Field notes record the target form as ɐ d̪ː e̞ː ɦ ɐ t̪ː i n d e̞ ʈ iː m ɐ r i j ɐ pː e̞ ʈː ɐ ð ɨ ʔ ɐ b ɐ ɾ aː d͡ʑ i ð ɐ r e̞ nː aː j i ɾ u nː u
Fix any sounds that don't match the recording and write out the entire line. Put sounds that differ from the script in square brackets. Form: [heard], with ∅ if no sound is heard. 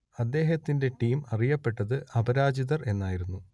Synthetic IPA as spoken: ɐ d̪ː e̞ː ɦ ɐ t̪ː i n d e̞ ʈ iː m ɐ r i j ɐ pː e̞ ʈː ɐ ð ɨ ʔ ɐ b ɐ ɾ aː d͡ʑ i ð ɐ r e̞ nː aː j i ɾ u nː u